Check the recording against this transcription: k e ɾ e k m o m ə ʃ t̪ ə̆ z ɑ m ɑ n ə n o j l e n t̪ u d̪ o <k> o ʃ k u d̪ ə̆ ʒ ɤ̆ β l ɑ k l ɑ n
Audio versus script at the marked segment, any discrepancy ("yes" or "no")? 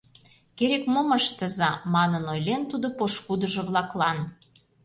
yes